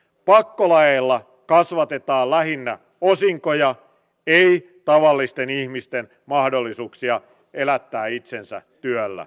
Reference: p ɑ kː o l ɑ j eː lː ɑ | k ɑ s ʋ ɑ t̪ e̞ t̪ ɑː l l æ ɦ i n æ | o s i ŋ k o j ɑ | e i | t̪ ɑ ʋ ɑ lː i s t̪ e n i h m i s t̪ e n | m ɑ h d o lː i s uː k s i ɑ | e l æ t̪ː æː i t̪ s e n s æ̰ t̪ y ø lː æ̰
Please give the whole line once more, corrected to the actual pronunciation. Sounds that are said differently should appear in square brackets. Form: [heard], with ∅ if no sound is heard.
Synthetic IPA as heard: p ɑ kː o l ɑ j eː lː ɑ | k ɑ s ʋ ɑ t̪ e̞ t̪ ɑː l l æ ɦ i [nː] æ | o s i ŋ k o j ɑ | e i | t̪ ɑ ʋ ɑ lː i s t̪ e n i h m i s t̪ e n | m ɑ h d o lː i s uː k s i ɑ | e l æ t̪ː æː i t̪ s e n s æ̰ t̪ y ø lː æ̰